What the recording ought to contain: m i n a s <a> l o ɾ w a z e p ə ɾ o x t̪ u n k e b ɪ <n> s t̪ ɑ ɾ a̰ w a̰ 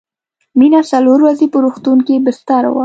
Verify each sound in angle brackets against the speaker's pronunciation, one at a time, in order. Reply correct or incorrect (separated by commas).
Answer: correct, incorrect